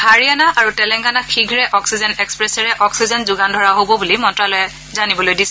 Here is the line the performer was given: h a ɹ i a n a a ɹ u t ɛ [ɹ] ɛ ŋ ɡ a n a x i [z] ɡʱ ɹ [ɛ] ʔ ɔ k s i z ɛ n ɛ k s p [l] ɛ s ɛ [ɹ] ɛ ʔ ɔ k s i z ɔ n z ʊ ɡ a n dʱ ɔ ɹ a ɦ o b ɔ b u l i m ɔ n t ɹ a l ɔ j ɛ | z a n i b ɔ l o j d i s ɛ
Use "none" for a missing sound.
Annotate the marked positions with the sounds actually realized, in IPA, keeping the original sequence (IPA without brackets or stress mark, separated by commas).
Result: l, none, ɛ, ɹ, ɹ